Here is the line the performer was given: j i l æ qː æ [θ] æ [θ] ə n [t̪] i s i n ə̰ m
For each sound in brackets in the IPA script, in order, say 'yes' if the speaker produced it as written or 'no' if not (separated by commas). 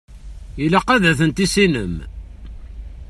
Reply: no, yes, yes